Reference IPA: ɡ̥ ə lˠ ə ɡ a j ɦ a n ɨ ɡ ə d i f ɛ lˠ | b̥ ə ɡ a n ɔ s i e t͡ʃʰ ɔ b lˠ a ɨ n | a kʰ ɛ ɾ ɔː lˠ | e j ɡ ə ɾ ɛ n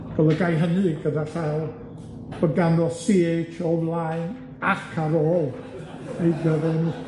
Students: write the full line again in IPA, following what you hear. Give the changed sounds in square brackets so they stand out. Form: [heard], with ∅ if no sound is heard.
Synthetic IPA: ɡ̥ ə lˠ ə ɡ a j ɦ [ə] n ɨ ɡ ə d [a] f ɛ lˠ | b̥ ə ɡ a n ɔ s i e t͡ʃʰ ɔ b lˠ a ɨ n | a kʰ [a] ɾ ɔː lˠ | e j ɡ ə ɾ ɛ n

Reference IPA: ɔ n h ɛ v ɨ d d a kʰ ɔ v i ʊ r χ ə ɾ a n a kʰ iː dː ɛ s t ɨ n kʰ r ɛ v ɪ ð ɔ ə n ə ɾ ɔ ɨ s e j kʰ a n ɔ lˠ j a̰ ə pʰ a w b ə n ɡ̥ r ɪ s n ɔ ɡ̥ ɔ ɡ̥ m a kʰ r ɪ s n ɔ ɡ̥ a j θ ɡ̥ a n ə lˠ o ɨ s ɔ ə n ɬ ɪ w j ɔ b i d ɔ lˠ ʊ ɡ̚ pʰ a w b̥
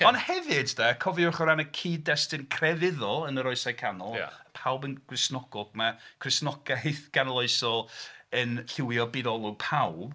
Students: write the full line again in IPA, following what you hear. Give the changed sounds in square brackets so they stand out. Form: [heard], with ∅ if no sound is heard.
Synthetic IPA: ɔ n h ɛ v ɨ d d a kʰ ɔ v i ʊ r χ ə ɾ a n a kʰ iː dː ɛ s t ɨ n kʰ r ɛ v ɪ ð ɔ ə n ə ɾ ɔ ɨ s [a] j kʰ a n ɔ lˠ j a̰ ə pʰ a w b ə n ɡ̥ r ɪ s n ɔ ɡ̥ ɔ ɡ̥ m a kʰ r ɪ s n ɔ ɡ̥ a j θ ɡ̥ a n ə lˠ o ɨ s ɔ ə n ɬ ɪ w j ɔ b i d ɔ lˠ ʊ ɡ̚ pʰ a w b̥

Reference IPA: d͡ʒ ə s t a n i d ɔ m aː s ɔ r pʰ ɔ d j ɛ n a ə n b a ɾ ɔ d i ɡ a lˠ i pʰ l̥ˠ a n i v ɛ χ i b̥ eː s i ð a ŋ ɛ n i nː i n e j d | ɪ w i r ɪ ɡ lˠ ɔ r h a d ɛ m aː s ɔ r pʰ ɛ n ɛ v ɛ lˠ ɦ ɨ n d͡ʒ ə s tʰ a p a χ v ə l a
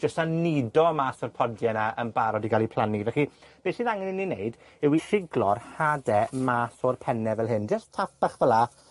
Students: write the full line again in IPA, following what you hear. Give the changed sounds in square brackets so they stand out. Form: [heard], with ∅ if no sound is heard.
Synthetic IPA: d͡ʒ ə s t a n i d ɔ m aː s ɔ r pʰ ɔ d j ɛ n a ə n b a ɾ ɔ d i ɡ a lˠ i pʰ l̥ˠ a n i v ɛ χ i b̥ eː s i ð a ŋ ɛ n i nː i n e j d | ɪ w i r ɪ ɡ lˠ ɔ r h a d ɛ m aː s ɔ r pʰ ɛ n ɛ v ɛ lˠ ɦ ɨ n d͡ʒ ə s tʰ a p a χ v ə l a

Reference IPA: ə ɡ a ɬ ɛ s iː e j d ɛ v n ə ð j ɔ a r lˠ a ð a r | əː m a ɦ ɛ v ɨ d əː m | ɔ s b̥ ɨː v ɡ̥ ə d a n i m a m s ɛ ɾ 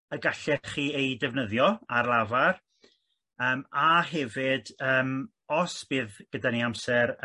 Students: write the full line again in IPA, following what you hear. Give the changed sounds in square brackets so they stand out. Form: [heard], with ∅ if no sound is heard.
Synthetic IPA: ə ɡ a ɬ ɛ [χ] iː e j d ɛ v n ə ð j ɔ a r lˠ a [v] a r | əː m a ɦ ɛ v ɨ d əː m | ɔ s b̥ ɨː [ð] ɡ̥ ə d a n i [∅] a m s ɛ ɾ

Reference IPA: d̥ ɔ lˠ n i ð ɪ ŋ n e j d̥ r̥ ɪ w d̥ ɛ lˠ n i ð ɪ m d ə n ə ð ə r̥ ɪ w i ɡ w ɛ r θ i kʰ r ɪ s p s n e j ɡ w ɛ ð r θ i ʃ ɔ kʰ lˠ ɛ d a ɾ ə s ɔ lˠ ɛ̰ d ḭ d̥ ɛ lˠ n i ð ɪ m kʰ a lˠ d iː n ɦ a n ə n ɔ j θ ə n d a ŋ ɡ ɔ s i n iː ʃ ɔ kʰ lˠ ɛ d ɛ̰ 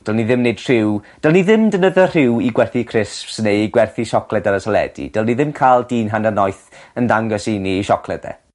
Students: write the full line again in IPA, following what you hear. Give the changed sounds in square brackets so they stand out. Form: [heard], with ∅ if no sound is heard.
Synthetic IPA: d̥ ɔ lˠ n i ð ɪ [m] n e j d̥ r̥ ɪ w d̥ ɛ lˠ n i ð ɪ m d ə n ə ð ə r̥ ɪ w i ɡ w ɛ r θ i kʰ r ɪ s p s n e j ɡ w ɛ [∅] r θ i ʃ ɔ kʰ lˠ ɛ d a ɾ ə s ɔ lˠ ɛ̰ d ḭ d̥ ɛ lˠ n i ð ɪ m kʰ a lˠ d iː n ɦ a n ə n ɔ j θ ə n d a ŋ ɡ ɔ s i n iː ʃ ɔ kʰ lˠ ɛ d ɛ̰

